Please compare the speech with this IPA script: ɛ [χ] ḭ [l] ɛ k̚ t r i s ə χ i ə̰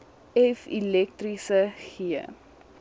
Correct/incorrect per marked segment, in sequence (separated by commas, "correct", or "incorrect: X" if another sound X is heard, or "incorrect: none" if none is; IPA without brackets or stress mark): incorrect: f, correct